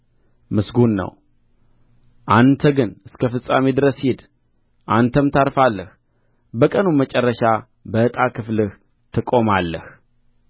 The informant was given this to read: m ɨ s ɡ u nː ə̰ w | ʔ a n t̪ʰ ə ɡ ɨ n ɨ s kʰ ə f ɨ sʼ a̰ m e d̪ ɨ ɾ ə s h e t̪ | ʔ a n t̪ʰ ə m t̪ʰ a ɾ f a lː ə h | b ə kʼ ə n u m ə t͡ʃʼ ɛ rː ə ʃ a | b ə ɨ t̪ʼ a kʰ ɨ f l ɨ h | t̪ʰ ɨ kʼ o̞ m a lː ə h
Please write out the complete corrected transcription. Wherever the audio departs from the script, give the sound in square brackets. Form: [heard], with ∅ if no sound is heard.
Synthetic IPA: m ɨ s ɡ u nː ə̰ w | ʔ a n t̪ʰ ə ɡ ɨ n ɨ s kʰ ə f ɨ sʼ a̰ m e d̪ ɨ ɾ ə s h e [d̪] | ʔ a n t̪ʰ ə m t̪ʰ a ɾ f a lː ə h | b ə kʼ ə n u m ə t͡ʃʼ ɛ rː ə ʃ a | b ə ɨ t̪ʼ a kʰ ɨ f l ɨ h | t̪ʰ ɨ kʼ o̞ m a lː ə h